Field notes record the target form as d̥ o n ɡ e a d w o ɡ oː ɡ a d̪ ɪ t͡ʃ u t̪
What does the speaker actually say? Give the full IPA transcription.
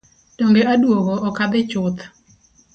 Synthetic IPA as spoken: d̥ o ŋ ɡ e a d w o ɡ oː k a d̪ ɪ t͡ʃ ʊ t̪